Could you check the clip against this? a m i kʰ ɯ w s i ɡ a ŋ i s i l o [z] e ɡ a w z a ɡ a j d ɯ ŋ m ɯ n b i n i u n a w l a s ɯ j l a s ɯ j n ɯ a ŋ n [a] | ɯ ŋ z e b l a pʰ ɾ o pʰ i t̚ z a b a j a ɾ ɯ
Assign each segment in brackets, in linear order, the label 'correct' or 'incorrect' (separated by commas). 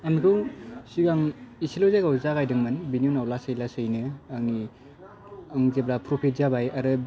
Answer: correct, incorrect